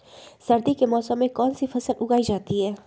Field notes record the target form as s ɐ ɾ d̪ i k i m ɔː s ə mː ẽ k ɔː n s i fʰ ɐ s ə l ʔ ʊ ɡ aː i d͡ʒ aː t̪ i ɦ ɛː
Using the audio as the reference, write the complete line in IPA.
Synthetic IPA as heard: s ɐ ɾ d̪ i k e m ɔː s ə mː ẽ k ɔː n s i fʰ ɐ s ə l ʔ ʊ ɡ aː i d͡ʒ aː t̪ i ɦ ɛː